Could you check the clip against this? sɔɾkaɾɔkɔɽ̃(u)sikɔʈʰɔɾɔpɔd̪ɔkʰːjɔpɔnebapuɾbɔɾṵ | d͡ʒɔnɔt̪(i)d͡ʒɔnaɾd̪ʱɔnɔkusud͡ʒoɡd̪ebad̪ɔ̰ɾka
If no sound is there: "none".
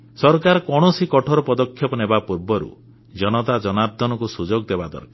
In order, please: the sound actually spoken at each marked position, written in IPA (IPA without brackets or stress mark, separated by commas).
ɔ, a